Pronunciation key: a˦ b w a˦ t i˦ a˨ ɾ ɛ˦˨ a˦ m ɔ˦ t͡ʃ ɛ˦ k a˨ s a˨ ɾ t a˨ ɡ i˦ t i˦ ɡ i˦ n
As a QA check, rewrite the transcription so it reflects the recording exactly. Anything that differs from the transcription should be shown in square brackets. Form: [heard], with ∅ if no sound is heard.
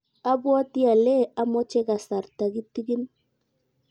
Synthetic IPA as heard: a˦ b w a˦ t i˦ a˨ [l] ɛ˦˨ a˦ m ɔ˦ t͡ʃ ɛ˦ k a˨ s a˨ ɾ t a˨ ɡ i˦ t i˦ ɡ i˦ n